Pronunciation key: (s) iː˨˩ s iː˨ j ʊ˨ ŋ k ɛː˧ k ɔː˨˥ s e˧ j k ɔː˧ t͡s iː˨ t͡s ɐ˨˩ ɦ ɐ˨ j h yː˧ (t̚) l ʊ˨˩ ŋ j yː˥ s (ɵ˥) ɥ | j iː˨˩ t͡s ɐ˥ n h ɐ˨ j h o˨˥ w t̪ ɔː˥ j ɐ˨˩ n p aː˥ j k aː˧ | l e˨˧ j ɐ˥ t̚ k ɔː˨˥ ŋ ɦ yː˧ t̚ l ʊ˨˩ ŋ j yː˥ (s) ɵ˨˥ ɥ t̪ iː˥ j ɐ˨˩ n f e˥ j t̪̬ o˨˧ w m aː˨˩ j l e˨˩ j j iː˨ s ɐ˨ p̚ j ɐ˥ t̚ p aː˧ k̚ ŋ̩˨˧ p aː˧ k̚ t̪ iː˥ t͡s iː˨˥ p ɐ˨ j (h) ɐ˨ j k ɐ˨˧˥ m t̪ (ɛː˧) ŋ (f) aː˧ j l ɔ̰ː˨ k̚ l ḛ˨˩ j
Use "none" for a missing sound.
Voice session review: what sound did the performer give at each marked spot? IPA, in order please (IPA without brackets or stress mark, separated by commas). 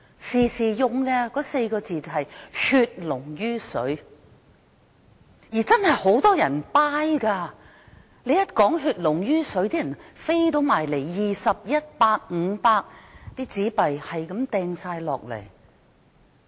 s, t̚, ɵ˨˥, s, h, ɛː˧, s